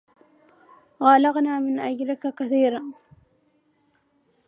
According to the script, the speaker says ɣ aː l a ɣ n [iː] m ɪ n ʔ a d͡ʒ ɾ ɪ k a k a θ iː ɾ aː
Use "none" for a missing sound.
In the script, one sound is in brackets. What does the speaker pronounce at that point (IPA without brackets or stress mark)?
aː